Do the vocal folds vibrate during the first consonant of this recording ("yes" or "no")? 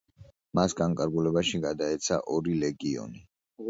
yes